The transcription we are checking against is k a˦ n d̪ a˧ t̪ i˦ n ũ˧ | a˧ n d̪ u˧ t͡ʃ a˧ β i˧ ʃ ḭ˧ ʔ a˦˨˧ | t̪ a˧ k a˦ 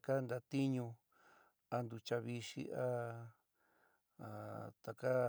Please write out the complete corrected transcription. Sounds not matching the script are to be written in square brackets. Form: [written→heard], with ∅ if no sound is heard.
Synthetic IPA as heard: k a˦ n d̪ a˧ t̪ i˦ [n→ɲ] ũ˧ | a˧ n d̪ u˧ t͡ʃ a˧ β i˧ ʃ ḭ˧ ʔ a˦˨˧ | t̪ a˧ k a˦